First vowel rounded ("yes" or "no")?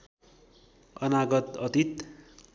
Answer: no